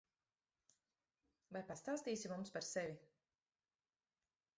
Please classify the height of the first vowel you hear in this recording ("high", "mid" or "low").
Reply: low